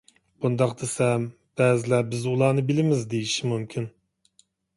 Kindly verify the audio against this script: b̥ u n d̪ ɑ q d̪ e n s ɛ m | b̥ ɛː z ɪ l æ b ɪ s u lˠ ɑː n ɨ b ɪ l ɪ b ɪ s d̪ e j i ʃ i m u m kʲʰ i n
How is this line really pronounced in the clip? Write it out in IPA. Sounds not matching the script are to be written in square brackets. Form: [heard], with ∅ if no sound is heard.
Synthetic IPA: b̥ u n d̪ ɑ q d̪ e [∅] s ɛ m | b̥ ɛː z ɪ l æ b ɪ [z] u lˠ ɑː n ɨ b ɪ l ɪ [m] ɪ [z] d̪ e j i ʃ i m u m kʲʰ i n

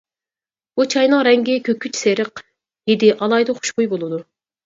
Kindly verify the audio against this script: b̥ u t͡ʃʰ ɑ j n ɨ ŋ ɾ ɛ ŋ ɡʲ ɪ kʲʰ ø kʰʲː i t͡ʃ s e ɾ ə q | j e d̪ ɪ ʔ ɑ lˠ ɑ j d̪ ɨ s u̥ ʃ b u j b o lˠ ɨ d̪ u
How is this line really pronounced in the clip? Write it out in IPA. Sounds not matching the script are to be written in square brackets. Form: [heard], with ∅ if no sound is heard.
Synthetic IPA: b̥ u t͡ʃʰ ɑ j n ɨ ŋ ɾ ɛ ŋ ɡʲ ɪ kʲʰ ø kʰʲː [y] t͡ʃ s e ɾ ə q | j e d̪ ɪ ʔ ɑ lˠ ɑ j d̪ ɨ [χ] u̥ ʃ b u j b o lˠ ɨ d̪ u

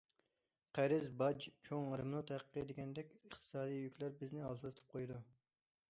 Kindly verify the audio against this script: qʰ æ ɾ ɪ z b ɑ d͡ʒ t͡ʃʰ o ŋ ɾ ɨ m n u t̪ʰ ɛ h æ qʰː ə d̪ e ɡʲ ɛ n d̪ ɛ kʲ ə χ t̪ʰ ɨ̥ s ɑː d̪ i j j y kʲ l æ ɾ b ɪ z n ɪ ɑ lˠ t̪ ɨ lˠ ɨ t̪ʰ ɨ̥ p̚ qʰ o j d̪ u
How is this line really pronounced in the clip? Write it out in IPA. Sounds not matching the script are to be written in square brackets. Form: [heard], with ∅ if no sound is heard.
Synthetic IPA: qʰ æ ɾ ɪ z b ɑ d͡ʒ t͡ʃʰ o ŋ ɾ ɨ m n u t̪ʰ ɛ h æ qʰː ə d̪ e ɡʲ ɛ n d̪ ɛ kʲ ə χ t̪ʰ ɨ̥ s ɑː d̪ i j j y kʲ l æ ɾ b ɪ z n ɪ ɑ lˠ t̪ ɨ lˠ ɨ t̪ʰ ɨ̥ p̚ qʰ o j d̪ u

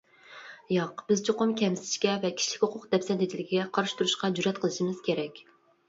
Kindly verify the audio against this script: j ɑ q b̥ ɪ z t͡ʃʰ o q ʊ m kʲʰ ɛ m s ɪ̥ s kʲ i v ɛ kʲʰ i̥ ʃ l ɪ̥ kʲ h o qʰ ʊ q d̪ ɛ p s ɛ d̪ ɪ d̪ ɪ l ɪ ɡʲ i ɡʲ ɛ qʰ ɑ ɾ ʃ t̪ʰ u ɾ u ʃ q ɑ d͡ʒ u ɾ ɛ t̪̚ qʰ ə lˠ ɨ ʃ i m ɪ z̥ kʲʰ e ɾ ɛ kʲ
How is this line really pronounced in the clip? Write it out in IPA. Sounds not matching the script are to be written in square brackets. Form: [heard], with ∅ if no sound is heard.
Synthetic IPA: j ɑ q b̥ ɪ z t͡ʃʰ o q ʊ m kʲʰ ɛ m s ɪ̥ [ʃ] kʲ [ɛ] v ɛ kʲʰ i̥ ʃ l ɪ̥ kʲ h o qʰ ʊ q d̪ ɛ p s ɛ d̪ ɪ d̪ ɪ l ɪ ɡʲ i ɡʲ ɛ qʰ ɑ ɾ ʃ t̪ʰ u ɾ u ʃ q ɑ d͡ʒ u ɾ ɛ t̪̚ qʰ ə lˠ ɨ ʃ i m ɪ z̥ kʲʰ e ɾ ɛ kʲ

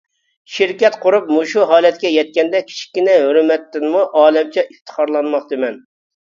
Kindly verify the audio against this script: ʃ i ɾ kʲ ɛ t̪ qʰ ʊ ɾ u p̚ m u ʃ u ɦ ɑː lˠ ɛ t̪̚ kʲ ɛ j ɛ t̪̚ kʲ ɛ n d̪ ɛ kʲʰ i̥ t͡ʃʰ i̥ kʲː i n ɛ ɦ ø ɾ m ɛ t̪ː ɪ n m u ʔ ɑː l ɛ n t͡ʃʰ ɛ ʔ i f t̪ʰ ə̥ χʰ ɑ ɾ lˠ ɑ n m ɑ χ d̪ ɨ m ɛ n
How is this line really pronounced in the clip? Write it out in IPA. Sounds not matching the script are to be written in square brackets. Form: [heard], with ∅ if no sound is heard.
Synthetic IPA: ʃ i ɾ kʲ ɛ t̪ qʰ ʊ ɾ u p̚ m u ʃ u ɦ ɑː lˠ ɛ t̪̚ kʲ ɛ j ɛ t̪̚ kʲ ɛ n d̪ ɛ kʲʰ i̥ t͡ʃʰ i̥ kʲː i n ɛ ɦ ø ɾ m ɛ t̪ː ɪ n m u ʔ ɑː l ɛ [m] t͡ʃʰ ɛ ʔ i f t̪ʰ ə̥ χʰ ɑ ɾ lˠ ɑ n m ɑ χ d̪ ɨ m ɛ n

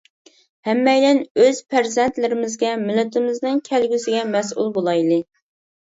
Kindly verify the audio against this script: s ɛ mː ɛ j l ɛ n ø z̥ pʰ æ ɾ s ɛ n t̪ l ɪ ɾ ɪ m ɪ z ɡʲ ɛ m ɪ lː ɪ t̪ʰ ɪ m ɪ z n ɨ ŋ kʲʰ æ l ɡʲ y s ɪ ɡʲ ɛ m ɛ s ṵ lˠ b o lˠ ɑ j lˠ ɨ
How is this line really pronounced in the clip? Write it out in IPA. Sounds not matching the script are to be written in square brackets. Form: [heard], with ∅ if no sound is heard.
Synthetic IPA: [h] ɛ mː ɛ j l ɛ n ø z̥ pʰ æ ɾ [z] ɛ n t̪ l ɪ ɾ ɪ m ɪ z ɡʲ ɛ m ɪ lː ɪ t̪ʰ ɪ m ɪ z n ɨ ŋ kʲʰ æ l ɡʲ y s ɪ ɡʲ ɛ m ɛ s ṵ lˠ b o lˠ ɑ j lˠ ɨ

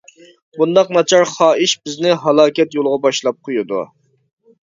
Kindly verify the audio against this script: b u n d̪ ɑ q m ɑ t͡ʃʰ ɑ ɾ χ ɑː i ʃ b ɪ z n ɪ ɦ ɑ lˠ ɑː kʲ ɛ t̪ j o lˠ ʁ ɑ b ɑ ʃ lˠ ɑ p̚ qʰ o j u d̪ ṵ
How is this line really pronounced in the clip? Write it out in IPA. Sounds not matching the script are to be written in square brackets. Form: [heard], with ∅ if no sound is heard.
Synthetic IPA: b u n d̪ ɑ q [n] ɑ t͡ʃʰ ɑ ɾ χ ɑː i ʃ b ɪ z n ɪ ɦ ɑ lˠ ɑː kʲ ɛ t̪ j o lˠ ʁ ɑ b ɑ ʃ lˠ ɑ p̚ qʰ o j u d̪ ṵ

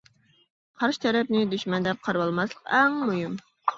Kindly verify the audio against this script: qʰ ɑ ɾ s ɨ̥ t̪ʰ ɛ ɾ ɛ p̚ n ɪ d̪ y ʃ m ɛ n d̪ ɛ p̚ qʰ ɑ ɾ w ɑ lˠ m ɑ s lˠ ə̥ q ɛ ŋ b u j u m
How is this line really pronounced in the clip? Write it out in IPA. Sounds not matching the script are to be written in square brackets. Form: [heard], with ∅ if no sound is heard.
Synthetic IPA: qʰ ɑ ɾ [ʃ] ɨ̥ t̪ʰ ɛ ɾ ɛ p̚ n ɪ d̪ y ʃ m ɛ n d̪ ɛ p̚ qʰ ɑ ɾ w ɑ lˠ m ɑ s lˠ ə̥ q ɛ ŋ [m] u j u m

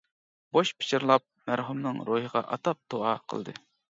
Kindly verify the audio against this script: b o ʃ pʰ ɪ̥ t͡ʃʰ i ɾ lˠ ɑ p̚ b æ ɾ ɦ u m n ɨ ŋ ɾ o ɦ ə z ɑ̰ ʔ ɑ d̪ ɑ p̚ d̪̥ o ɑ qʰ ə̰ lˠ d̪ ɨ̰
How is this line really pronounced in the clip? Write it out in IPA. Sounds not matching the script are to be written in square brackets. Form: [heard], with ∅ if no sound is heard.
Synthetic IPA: b o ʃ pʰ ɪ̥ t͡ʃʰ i ɾ lˠ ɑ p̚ [m] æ ɾ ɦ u m n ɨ ŋ ɾ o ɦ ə [ʁ] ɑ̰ ʔ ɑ [t̪] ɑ p̚ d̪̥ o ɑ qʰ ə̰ lˠ d̪ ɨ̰

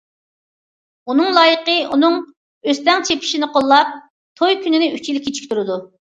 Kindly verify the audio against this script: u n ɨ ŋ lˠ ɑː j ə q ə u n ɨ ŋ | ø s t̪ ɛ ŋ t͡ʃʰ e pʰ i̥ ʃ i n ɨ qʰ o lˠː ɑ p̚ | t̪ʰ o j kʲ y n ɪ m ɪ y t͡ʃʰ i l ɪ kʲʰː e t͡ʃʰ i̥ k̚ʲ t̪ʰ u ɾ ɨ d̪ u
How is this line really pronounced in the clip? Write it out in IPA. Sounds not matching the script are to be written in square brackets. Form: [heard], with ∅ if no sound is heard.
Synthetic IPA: u n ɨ ŋ lˠ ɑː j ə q ə u n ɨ ŋ | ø s t̪ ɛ ŋ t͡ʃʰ e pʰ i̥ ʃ i n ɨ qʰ o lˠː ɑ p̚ | t̪ʰ o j kʲ y n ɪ [n] ɪ y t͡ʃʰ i l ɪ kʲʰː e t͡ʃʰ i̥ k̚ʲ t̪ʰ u ɾ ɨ d̪ u

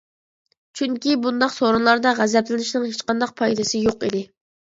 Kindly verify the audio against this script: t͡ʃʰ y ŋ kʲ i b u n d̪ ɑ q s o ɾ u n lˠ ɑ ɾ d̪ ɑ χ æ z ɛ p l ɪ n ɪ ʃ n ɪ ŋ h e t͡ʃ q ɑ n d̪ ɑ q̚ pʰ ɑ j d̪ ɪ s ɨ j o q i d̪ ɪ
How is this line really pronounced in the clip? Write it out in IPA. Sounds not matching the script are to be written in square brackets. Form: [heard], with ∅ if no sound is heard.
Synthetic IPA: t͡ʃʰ y ŋ kʲ i b u n d̪ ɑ q s o ɾ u n lˠ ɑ ɾ d̪ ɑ [ʁ] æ z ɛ p l ɪ n ɪ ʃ n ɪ ŋ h e t͡ʃ q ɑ n d̪ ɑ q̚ pʰ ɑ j d̪ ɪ s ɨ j o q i d̪ ɪ

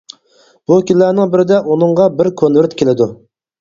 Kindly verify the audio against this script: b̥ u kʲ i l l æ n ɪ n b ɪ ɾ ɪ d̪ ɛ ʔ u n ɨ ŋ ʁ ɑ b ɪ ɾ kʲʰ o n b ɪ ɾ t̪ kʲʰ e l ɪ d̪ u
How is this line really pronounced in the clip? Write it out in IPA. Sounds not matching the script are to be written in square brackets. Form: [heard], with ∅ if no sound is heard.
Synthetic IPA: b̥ u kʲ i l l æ n ɪ [ŋ] b ɪ ɾ ɪ d̪ ɛ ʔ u n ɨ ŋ ʁ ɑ b ɪ ɾ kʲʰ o n [v] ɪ ɾ t̪ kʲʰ e l ɪ d̪ u

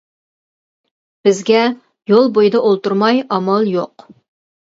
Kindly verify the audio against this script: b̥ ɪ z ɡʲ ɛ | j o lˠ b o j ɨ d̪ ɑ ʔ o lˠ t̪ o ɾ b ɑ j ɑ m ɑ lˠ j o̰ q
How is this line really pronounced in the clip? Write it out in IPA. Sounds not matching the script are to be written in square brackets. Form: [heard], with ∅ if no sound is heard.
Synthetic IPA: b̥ ɪ z ɡʲ ɛ | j o lˠ b o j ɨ d̪ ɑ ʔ o lˠ t̪ [u] ɾ [m] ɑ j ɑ m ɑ lˠ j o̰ q

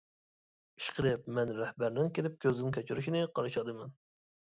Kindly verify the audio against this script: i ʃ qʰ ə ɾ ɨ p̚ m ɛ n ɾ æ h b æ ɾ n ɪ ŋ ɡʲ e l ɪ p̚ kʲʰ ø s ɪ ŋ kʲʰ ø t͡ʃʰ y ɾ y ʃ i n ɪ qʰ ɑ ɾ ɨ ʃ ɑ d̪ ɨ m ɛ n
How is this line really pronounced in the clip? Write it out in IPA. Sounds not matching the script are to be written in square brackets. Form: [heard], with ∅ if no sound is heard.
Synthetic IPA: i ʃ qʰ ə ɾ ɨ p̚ m ɛ n ɾ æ h b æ ɾ n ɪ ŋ [kʲ] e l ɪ p̚ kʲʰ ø [z] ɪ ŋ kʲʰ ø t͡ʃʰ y ɾ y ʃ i n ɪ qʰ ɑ ɾ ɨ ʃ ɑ d̪ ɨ m ɛ n

